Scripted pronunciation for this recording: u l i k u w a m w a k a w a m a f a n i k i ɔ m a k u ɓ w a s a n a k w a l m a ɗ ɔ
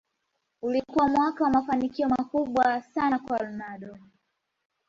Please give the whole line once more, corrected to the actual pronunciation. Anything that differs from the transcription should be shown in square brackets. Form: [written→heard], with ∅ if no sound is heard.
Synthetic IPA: u l i k u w a m w a k a w a m a f a n i k i ɔ m a k u ɓ w a s a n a k w a l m a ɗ ɔ